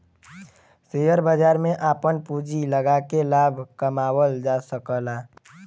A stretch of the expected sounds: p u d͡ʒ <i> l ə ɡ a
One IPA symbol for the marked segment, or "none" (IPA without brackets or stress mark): i